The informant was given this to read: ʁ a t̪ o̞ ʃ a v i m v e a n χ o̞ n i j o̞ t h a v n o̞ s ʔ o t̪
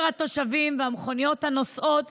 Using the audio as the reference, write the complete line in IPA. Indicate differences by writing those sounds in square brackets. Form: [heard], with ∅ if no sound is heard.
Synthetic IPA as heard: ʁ a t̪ o̞ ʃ a v i m v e a [m] χ o̞ n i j o̞ t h a [∅] n o̞ s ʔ o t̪